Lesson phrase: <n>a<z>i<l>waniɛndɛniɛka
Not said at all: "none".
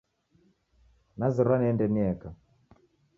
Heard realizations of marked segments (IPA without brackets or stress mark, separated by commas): n, z, ɾ